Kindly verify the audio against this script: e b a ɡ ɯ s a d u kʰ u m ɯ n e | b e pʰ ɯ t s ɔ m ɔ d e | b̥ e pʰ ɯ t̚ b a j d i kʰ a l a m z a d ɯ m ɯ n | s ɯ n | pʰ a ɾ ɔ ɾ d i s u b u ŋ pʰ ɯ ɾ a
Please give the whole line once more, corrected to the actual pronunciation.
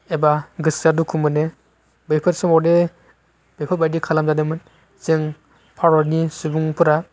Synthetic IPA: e b a ɡ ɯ s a d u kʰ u m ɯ n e | b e pʰ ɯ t s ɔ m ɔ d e | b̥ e pʰ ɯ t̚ b a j d i kʰ a l a m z a d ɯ m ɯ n | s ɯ ŋ | pʰ a ɾ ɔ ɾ n i s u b u ŋ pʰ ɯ ɾ a